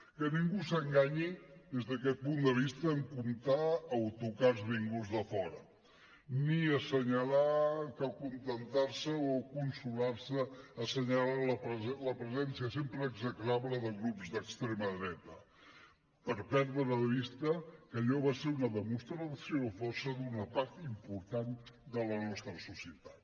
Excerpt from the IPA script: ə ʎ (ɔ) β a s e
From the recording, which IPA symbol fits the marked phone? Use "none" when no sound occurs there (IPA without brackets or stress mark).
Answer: ɔ